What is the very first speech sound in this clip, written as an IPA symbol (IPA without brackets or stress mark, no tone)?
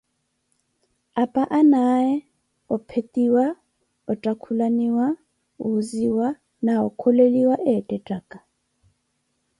a